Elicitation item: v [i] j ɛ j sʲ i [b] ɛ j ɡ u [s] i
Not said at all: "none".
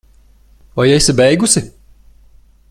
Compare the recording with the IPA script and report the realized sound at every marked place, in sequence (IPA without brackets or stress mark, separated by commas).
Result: a, b, s